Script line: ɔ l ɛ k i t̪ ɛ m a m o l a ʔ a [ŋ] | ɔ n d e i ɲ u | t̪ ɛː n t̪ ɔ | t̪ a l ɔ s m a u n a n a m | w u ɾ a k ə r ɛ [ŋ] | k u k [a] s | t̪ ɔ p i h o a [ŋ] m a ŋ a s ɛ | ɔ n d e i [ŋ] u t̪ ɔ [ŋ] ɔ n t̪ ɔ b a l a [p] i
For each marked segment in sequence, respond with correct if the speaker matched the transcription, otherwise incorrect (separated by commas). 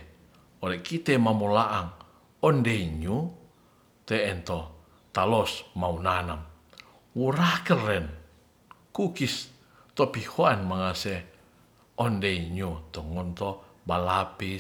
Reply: correct, incorrect, incorrect, incorrect, incorrect, correct, correct